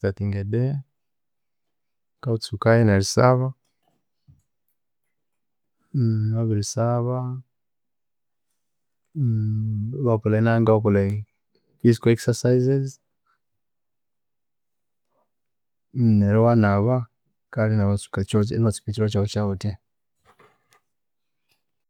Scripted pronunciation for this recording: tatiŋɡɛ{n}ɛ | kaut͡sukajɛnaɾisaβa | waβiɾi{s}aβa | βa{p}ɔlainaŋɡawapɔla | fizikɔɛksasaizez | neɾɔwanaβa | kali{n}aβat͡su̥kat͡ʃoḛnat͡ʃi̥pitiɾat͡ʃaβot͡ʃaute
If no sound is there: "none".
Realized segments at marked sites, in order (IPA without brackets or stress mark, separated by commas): d, s, p, n